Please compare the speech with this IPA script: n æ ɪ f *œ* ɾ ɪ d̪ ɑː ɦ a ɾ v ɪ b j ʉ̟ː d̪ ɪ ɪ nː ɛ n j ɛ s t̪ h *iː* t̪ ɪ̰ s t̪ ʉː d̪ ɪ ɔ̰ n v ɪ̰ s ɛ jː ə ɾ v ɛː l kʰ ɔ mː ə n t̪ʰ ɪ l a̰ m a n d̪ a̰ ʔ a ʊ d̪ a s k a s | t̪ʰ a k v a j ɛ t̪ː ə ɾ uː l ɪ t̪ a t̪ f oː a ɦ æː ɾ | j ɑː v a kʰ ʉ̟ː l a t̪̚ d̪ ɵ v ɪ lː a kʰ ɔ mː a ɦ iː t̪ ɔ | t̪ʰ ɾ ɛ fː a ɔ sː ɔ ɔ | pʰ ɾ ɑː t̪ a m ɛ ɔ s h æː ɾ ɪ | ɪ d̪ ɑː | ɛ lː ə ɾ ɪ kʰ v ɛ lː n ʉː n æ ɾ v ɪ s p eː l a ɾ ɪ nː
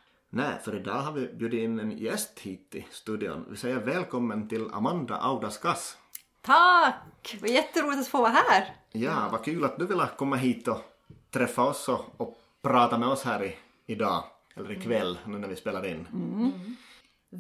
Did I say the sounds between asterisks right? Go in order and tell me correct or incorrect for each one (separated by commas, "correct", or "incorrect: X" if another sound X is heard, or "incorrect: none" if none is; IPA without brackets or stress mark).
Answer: correct, correct